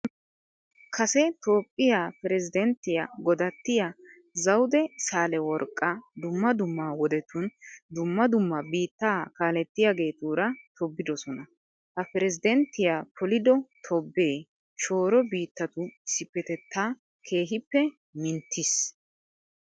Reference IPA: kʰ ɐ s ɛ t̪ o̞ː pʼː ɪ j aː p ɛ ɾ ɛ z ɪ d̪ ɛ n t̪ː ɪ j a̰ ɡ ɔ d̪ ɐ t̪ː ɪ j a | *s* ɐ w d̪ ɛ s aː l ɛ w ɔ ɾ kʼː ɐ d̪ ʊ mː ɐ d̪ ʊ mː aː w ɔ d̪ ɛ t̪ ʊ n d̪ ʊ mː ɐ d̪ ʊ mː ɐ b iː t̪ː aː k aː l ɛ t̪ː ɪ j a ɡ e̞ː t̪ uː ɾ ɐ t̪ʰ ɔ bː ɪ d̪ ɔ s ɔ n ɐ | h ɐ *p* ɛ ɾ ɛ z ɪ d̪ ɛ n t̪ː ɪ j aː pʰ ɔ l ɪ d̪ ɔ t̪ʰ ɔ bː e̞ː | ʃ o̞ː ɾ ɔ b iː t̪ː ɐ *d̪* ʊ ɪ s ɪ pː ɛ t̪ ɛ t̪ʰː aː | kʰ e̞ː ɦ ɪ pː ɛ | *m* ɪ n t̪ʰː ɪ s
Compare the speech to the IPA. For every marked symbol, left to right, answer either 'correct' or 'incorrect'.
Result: incorrect: z, correct, incorrect: t̪, correct

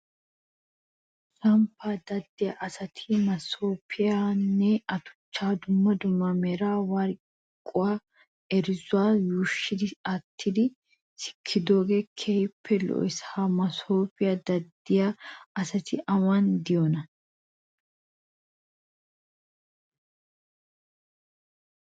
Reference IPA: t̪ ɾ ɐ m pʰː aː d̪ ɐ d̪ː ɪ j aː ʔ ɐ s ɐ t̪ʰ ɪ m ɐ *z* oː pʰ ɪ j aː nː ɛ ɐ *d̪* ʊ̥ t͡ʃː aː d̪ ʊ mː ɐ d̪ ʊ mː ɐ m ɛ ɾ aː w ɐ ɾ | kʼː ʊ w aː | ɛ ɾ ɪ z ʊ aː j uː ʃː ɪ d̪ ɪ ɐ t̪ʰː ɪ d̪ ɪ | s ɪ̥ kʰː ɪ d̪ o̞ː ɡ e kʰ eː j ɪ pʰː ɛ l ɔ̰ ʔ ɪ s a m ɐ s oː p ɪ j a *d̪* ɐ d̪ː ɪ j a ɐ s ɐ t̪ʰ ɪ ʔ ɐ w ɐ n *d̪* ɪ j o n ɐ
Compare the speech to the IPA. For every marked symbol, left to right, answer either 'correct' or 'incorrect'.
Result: incorrect: s, incorrect: t̪, correct, correct

